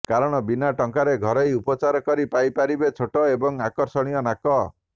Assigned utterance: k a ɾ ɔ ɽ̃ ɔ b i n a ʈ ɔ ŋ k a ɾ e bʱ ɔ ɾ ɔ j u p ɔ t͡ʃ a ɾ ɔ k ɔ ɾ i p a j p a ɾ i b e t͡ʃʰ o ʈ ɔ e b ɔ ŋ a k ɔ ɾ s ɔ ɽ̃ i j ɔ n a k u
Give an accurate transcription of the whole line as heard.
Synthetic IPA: k a ɾ ɔ ɽ̃ ɔ b i n a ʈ ɔ ŋ k a ɾ e ɡʱ ɔ ɾ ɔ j u p ɔ t͡ʃ a ɾ ɔ k ɔ ɾ i p a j p a ɾ i b e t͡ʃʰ o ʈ ɔ e b ɔ ŋ a k ɔ ɾ s ɔ ɽ̃ i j ɔ n a k ɔ